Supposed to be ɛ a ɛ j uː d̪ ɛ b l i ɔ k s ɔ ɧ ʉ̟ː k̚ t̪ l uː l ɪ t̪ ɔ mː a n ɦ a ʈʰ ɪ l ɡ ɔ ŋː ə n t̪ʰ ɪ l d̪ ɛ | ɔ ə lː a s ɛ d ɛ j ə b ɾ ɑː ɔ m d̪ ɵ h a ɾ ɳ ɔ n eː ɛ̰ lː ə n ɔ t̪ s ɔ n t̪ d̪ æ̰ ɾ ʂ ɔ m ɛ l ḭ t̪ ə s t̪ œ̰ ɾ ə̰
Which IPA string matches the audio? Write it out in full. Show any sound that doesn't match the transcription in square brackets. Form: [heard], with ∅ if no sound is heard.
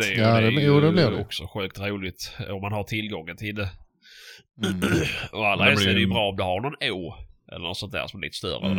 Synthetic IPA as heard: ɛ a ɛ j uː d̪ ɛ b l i ɔ k s ɔ ɧ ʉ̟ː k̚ t̪ [ɾ] uː l ɪ t̪ ɔ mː a n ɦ a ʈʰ ɪ l ɡ ɔ ŋː ə n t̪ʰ ɪ l d̪ ɛ | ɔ [a] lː a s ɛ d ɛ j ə b ɾ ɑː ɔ m d̪ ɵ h a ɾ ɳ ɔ n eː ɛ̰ lː ə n ɔ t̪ s ɔ n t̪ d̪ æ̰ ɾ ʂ ɔ m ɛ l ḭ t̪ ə s t̪ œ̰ ɾ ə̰